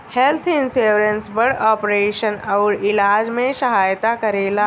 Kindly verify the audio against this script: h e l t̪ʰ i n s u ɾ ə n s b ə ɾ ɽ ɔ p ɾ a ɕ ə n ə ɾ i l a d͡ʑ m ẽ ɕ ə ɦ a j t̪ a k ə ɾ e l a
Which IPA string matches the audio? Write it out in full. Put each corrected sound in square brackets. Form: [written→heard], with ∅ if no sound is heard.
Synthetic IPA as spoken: h e l t̪ʰ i n s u ɾ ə n s b ə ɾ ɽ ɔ p ɾ [a→e] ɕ ə n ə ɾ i l a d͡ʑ m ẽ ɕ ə ɦ a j t̪ a k ə ɾ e l a